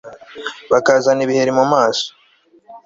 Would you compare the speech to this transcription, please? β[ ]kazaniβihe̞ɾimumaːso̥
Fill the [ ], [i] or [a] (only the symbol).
a